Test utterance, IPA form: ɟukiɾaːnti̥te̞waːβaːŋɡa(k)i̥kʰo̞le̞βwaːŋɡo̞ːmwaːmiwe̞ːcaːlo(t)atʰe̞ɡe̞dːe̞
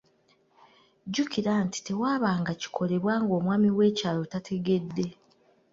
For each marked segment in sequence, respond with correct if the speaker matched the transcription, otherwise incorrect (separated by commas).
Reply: incorrect, correct